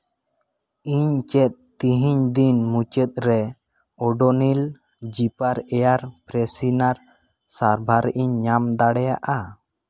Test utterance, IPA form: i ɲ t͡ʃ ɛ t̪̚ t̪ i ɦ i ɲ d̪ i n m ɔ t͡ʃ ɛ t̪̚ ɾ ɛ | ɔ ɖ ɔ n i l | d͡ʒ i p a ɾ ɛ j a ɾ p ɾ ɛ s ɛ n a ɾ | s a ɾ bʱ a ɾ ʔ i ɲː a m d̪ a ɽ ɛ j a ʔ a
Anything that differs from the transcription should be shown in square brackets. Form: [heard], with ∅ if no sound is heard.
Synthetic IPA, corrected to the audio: i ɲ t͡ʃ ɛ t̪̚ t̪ i ɦ i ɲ d̪ i n m [u] t͡ʃ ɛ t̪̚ ɾ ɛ | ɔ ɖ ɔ n i l | d͡ʒ i p a ɾ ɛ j a ɾ p ɾ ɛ s [i] n a ɾ | s a ɾ bʱ a ɾ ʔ i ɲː a m d̪ a ɽ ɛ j a ʔ a